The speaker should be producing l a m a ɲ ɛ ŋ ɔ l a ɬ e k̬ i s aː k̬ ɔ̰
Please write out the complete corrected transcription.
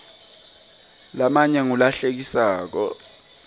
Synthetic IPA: l a m a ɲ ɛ ŋ u l a ɬ e k̬ i s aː k̬ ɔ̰